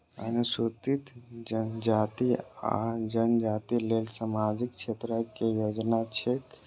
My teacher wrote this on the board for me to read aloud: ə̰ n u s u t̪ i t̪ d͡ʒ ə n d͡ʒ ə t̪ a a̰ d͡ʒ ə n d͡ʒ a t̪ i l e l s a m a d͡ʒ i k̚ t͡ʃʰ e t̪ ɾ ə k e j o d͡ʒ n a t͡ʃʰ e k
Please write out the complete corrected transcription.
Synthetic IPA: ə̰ n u s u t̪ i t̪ d͡ʒ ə n d͡ʒ a t̪ i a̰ d͡ʒ ə n d͡ʒ a t̪ i l e l s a m a d͡ʒ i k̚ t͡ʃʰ e t̪ ɾ ə k e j o d͡ʒ n a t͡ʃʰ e k

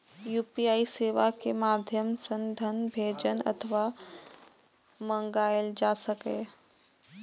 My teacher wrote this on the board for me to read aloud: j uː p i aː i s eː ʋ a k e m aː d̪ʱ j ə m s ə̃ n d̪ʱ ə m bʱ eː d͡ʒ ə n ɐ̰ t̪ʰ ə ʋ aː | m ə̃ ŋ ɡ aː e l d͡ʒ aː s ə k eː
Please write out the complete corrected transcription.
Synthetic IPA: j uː p i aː i s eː ʋ a k e m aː d̪ʱ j ə m s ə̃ n d̪ʱ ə n bʱ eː d͡ʒ ə n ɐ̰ t̪ʰ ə ʋ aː | m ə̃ ŋ ɡ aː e l d͡ʒ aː s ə k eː

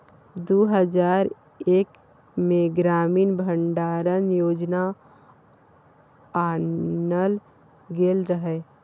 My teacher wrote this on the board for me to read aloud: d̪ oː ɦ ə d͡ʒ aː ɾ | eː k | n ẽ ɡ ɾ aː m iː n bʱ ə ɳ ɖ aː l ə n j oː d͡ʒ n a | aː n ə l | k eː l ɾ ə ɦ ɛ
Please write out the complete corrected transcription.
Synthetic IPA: d̪ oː ɦ ə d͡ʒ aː ɾ | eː k | m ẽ ɡ ɾ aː m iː n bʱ ə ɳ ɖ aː ɾ ə n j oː d͡ʒ n a | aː n ə l | ɡ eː l ɾ ə ɦ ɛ

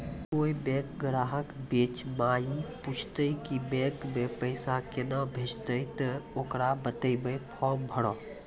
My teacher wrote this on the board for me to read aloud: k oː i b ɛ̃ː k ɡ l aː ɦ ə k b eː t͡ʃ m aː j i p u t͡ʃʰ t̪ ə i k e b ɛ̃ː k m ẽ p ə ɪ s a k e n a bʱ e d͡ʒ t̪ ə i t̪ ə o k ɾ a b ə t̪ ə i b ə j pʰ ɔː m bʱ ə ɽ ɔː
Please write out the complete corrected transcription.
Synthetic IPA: k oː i b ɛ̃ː k ɡ ɾ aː ɦ ə k b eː t͡ʃ m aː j i p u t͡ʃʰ t̪ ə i k i b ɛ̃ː k m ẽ p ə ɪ s a k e n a bʱ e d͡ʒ t̪ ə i t̪ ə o k ɾ a b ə t̪ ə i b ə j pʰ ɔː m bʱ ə ɽ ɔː

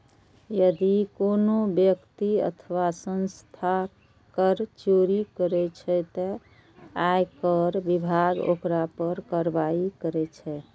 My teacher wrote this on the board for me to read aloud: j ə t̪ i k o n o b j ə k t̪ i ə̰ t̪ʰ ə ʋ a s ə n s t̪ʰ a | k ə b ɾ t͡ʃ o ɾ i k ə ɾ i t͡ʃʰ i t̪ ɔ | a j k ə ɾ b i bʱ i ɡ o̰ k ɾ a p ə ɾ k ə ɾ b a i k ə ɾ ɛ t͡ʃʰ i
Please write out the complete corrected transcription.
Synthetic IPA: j ə d̪ i k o n o b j ə k t̪ i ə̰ t̪ʰ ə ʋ a s ə n s t̪ʰ a | k ə ɾ t͡ʃ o ɾ i k ə ɾ ɛ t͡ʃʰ ɛ t̪ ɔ | a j k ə ɾ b i bʱ a ɡ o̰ k ɾ a p ə ɾ k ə ɾ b a i k ə ɾ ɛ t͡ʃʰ ɛ

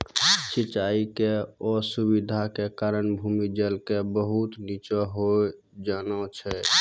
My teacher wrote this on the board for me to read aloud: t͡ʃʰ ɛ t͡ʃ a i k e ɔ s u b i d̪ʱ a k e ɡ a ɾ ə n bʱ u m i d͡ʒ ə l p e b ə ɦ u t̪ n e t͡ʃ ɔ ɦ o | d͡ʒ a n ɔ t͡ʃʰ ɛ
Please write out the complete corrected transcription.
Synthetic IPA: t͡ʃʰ i t͡ʃ a i k e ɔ s u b i d̪ʱ a k e k a ɾ ə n bʱ u m i d͡ʒ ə l k e b ə ɦ u t̪ n i t͡ʃ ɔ ɦ o | d͡ʒ a n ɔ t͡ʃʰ ɛ

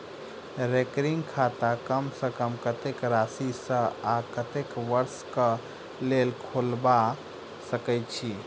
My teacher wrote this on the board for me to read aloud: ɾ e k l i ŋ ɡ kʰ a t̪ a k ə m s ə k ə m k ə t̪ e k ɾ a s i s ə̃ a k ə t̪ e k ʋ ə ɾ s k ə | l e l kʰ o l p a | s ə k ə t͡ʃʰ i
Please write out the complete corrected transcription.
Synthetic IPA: ɾ e k ɾ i ŋ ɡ kʰ a t̪ a k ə m s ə k ə m k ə t̪ e k ɾ a s i s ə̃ a k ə t̪ e k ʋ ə ɾ s k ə | l e l kʰ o l b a | s ə k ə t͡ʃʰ i

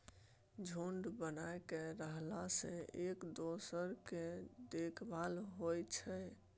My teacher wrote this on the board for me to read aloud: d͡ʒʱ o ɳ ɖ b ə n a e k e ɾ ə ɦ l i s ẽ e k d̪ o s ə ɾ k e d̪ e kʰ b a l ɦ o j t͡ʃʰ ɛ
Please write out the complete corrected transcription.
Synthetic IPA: d͡ʒʱ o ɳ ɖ b ə n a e k e ɾ ə ɦ l a s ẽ e k d̪ o s ə ɾ k e d̪ e kʰ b a l ɦ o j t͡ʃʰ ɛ

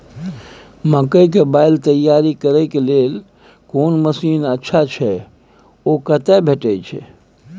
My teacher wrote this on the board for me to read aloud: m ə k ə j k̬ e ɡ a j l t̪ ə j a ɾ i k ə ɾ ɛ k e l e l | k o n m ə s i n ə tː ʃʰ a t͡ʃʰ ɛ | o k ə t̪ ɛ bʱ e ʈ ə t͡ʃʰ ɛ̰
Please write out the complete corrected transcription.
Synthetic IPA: m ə k ə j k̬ e b a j l t̪ ə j a ɾ i k ə ɾ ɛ k e l e l | k o n m ə s i n ə tː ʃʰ a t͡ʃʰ ɛ | o k ə t̪ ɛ bʱ e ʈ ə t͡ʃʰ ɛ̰

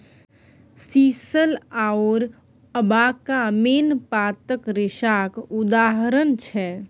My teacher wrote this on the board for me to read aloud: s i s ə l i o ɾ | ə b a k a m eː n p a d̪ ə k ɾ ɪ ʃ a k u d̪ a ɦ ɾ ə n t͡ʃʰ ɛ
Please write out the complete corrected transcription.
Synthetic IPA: s i s ə l a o ɾ | ə b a k a m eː n p a t̪ ə k ɾ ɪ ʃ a k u d̪ a ɦ ɾ ə n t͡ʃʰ ɛ

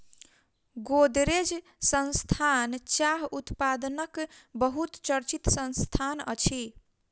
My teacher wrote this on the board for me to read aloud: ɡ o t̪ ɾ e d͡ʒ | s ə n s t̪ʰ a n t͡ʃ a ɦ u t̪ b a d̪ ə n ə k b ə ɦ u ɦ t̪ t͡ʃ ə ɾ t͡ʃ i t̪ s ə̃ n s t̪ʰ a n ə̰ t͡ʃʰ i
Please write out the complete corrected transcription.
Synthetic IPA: ɡ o d̪ ɾ e d͡ʒ | s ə n s t̪ʰ a n t͡ʃ a ɦ u t̪ p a d̪ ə n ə k b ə ɦ u t̪ t͡ʃ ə ɾ t͡ʃ i t̪ s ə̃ n s t̪ʰ a n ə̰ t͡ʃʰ i

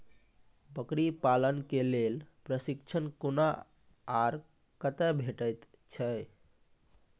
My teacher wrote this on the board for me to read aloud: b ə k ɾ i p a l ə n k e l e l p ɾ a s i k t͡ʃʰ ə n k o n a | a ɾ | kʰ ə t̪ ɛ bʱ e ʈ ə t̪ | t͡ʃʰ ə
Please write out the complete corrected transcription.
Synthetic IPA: b ə k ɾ i p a l ə n k e l e l p ɾ ə s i k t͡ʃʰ ə n k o n a | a ɾ | k ə t̪ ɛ bʱ e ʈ ə t̪ | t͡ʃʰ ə

